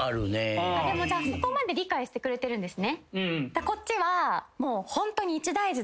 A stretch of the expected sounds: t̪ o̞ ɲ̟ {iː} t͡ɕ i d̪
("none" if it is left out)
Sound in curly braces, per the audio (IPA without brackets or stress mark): iː